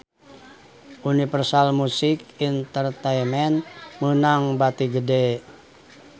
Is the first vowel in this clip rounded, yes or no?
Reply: yes